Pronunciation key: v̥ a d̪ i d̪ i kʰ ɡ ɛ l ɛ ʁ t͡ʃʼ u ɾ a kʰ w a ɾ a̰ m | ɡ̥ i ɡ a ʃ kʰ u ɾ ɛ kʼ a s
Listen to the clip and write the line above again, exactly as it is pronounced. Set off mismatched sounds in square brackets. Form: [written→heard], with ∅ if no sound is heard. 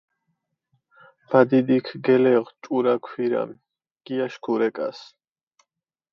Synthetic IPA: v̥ a d̪ i d̪ i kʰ ɡ ɛ l ɛ ʁ t͡ʃʼ u ɾ a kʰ w [a→i] ɾ a̰ m | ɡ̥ i [ɡ→∅] a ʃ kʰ u ɾ ɛ kʼ a s

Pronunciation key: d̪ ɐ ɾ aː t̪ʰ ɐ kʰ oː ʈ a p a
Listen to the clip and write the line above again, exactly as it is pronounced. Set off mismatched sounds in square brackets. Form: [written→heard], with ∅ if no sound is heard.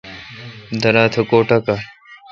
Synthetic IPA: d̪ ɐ ɾ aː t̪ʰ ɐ [kʰ→k] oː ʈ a [p→k] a

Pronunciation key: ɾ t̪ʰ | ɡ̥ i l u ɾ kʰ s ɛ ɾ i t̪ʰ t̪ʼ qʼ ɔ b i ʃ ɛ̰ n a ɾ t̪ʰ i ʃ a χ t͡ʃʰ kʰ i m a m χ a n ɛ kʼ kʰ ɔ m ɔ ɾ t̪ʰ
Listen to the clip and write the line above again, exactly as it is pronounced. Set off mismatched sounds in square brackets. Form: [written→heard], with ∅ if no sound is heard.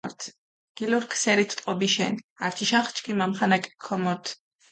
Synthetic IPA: ɾ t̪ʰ | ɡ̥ i l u ɾ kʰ s ɛ ɾ i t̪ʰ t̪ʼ qʼ ɔ b i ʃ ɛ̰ n a ɾ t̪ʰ i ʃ a χ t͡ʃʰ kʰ i m a m χ a n [ɛ→a] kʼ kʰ ɔ m ɔ ɾ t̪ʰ

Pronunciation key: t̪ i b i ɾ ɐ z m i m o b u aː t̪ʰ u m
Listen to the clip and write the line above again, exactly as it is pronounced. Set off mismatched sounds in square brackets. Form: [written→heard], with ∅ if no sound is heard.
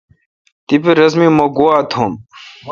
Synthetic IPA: t̪ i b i ɾ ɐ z m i m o [b→ɡ] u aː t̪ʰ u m

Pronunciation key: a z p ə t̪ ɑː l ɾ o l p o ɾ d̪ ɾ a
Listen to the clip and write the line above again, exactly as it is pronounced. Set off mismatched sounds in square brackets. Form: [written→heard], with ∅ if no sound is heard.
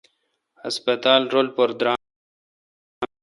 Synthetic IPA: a [z→s] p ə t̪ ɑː l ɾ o l p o ɾ d̪ ɾ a

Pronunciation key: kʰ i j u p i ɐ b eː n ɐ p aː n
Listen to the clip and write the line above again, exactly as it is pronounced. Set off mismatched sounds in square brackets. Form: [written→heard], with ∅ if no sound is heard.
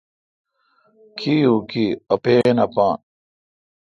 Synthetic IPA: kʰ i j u [p→k] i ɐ [b→p] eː n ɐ p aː n

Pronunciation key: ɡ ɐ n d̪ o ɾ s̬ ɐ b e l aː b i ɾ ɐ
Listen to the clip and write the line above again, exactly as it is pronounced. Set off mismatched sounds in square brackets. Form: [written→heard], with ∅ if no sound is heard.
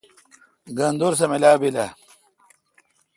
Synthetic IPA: ɡ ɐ n d̪ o ɾ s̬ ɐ [b→m] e l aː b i [ɾ→l] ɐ

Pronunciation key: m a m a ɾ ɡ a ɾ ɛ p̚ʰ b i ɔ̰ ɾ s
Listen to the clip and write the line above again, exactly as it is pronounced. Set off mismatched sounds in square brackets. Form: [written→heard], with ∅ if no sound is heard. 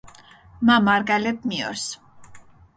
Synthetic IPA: m a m a ɾ ɡ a [ɾ→l] ɛ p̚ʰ [b→m] i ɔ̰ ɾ s

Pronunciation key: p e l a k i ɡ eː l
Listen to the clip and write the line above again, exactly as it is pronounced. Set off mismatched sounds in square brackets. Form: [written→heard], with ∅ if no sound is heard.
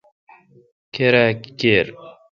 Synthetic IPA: [p→k] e [l→ɾ] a k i [ɡ→k] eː [l→ɾ]

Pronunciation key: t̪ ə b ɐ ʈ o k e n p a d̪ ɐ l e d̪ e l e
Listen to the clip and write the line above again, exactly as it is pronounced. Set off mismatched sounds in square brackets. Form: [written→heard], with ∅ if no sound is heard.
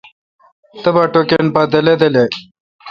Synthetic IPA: t̪ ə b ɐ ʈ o k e n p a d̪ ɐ l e d̪ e l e

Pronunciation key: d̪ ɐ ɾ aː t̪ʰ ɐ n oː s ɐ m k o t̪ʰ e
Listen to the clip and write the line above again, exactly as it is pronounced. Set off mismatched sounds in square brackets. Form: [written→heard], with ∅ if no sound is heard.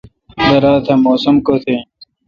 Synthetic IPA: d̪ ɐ ɾ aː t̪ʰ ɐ [n→m] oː s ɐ m k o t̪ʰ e

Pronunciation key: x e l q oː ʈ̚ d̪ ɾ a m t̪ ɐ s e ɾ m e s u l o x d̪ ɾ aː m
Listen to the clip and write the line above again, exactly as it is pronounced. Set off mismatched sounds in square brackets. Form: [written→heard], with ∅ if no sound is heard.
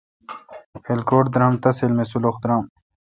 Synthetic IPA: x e l [q→k] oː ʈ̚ d̪ ɾ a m t̪ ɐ s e [ɾ→l] m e s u l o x d̪ ɾ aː m

